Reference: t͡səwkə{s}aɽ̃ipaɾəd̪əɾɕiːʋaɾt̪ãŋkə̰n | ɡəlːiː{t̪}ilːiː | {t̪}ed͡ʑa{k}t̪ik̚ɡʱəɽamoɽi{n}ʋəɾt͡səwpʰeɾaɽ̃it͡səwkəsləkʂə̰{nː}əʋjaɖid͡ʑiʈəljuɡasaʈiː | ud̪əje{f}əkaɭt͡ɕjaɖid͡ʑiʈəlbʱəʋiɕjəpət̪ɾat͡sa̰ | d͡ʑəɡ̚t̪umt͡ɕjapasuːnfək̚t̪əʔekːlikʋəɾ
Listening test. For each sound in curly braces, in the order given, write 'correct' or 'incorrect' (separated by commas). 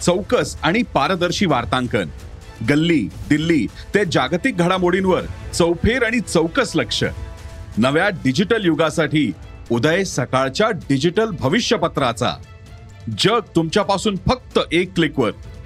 correct, incorrect, correct, incorrect, correct, incorrect, incorrect